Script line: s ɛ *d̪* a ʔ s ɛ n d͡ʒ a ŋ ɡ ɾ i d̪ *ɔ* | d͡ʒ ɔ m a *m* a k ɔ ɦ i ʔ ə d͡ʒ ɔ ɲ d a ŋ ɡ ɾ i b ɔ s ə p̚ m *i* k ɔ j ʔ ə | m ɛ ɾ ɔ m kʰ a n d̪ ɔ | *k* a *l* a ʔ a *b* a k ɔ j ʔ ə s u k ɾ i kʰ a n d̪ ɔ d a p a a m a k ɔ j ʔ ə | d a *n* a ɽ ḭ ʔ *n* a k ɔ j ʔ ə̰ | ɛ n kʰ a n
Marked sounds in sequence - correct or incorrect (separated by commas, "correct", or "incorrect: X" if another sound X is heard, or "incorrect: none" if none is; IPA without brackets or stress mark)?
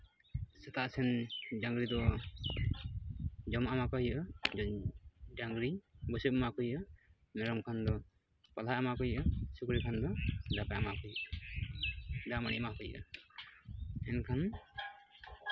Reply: incorrect: t̪, correct, correct, incorrect: a, incorrect: p, correct, incorrect: m, incorrect: m, incorrect: m